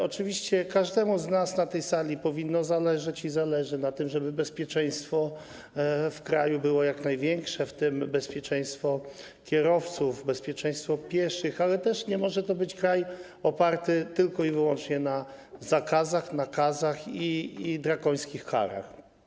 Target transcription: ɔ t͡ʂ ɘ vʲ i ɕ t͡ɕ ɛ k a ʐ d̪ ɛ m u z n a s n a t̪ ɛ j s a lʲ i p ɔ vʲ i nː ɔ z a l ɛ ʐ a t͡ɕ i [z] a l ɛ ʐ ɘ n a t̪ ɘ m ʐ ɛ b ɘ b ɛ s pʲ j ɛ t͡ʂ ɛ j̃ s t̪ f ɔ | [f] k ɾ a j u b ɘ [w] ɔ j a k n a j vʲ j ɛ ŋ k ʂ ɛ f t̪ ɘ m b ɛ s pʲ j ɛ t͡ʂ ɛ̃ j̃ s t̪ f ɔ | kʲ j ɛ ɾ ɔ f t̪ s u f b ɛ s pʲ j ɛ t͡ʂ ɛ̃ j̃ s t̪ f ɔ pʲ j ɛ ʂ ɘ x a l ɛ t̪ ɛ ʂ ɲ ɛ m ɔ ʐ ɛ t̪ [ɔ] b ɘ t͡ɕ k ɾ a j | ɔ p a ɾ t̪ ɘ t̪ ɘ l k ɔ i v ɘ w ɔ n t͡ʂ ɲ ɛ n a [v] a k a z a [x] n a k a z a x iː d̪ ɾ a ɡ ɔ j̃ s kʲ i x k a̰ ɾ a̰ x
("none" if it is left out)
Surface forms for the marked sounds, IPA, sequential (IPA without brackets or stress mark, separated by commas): z, f, w, ɔ, z, x